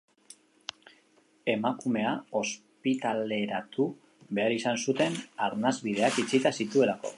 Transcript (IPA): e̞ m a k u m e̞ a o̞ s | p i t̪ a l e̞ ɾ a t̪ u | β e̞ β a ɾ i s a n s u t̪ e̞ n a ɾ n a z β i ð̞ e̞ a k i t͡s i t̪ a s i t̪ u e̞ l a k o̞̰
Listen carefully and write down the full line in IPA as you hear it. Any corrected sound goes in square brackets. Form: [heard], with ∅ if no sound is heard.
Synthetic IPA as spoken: e̞ m a k u m e̞ a o̞ s | p i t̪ a l e̞ ɾ a t̪ u | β e̞ [∅] a ɾ i s a n s u t̪ e̞ n a ɾ n a z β i ð̞ e̞ a k i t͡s i t̪ a s i t̪ u e̞ l a k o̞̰